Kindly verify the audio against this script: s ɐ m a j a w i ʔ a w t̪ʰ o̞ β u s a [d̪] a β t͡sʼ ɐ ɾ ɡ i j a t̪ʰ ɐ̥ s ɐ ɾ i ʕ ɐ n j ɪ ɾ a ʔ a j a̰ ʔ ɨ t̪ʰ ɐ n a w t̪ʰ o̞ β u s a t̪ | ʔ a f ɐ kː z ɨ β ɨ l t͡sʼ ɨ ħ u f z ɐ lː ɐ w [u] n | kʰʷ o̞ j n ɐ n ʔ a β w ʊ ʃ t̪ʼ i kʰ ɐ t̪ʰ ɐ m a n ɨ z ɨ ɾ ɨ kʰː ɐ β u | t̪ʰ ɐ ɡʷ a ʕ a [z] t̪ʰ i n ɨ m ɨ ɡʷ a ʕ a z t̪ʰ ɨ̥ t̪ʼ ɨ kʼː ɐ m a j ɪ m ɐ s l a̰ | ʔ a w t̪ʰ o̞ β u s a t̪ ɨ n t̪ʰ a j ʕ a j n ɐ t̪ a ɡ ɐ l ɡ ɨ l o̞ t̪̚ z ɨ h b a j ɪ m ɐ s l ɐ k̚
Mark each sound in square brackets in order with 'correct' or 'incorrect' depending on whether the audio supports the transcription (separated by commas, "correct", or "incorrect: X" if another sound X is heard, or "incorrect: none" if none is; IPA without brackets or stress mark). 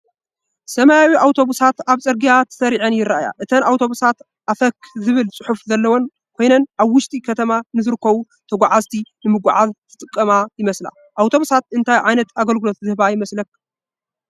incorrect: t̪, incorrect: o, correct